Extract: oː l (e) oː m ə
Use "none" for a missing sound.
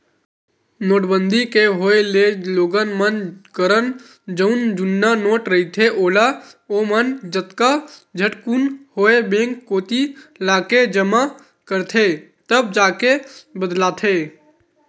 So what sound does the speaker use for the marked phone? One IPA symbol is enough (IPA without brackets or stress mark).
a